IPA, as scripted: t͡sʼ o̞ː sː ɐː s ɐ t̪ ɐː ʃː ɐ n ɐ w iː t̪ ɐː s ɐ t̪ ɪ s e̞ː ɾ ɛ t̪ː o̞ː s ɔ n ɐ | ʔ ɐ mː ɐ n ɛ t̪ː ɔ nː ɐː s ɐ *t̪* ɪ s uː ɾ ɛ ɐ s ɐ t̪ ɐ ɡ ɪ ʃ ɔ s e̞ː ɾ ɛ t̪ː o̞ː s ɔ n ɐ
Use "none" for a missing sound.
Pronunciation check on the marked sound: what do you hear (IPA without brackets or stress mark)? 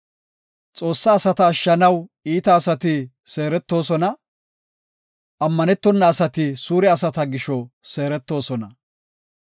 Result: t̪